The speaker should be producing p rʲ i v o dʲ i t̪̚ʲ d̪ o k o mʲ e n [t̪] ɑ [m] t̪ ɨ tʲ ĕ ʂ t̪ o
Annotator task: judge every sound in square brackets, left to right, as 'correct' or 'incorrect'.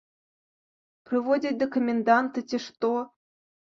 incorrect, incorrect

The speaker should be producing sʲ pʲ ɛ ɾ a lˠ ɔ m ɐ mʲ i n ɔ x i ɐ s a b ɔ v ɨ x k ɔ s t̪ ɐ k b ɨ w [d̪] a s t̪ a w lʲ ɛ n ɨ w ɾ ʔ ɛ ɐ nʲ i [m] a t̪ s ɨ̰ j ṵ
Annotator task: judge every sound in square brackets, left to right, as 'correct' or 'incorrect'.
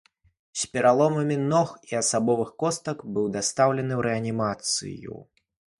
correct, correct

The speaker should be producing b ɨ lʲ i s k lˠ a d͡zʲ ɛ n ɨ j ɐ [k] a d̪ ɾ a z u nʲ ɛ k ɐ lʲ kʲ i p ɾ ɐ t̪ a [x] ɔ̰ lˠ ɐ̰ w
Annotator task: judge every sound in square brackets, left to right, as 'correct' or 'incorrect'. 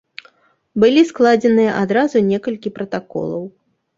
incorrect, incorrect

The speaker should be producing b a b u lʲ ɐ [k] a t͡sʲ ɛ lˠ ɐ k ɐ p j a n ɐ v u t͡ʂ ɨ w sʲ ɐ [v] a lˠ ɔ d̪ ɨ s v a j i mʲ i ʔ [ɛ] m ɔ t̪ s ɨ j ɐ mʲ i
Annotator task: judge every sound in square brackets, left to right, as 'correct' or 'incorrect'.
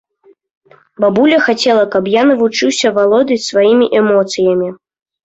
incorrect, correct, correct

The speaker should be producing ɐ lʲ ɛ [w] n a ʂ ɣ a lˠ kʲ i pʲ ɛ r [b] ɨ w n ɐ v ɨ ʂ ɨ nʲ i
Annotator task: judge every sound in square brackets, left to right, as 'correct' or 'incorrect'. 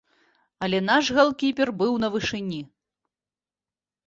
incorrect, correct

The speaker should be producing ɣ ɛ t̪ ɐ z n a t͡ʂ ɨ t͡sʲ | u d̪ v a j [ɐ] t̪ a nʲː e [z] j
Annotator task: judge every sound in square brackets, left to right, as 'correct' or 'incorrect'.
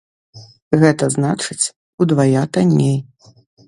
incorrect, incorrect

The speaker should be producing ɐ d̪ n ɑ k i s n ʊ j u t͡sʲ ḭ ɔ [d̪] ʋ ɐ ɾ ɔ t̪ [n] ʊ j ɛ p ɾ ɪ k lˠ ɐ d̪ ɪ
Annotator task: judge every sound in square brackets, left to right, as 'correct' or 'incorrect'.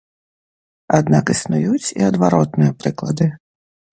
correct, correct

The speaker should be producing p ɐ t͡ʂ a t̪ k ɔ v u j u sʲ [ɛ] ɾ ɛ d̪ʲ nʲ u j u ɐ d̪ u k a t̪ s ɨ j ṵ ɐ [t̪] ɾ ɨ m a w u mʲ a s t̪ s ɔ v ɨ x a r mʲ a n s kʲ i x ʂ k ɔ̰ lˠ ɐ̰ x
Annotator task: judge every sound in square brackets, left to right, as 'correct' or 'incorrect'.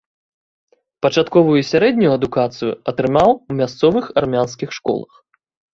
incorrect, correct

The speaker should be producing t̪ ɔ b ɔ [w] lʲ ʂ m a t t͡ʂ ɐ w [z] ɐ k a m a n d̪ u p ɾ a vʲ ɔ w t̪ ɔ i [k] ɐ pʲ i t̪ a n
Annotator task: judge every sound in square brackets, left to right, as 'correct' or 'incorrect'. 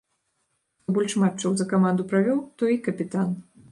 incorrect, correct, correct

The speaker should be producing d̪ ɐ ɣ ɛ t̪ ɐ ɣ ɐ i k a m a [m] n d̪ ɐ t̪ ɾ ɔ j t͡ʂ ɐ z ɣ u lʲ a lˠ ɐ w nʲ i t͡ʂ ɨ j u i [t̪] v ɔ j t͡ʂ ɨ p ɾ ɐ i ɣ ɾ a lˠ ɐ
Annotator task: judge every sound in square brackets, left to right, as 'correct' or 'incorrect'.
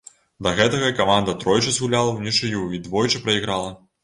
incorrect, incorrect

